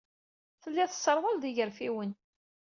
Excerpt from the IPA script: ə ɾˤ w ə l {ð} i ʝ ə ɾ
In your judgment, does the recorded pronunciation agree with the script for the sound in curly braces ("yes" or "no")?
yes